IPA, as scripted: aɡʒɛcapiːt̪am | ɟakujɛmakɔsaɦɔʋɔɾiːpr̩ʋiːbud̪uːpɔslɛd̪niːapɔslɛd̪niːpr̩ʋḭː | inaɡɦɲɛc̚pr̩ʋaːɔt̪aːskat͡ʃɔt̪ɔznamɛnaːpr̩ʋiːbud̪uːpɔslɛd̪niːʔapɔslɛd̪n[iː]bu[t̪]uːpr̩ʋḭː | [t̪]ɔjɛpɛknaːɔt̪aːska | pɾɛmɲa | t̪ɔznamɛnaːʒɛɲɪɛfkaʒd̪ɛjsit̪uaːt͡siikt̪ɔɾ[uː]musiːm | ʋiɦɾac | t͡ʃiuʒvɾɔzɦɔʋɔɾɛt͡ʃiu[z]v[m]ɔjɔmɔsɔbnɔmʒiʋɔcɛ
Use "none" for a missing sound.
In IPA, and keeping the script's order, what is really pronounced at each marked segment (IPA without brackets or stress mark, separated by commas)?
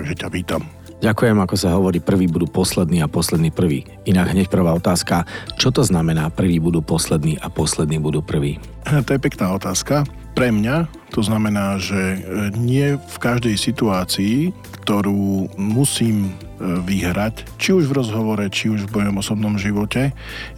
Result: iː, d̪, t̪, uː, ʒ, m